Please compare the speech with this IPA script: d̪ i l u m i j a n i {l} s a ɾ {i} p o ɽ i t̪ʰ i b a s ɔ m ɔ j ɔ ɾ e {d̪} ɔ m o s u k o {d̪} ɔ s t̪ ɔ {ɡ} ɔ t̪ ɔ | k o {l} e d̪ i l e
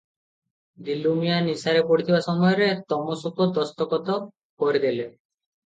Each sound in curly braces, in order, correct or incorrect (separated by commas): incorrect, incorrect, incorrect, correct, incorrect, incorrect